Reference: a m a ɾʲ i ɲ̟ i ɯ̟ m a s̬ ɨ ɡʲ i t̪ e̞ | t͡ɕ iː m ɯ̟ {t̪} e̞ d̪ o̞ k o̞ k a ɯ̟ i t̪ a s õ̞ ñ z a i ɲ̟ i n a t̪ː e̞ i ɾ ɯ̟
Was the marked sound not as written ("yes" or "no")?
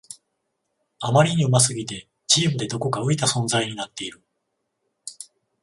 yes